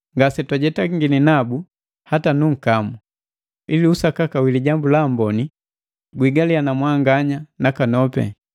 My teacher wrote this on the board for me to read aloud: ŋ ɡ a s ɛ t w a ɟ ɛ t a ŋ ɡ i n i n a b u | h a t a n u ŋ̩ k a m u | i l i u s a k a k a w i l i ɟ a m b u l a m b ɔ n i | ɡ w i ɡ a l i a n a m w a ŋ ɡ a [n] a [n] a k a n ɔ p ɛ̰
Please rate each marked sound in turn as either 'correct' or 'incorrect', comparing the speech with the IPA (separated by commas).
incorrect, correct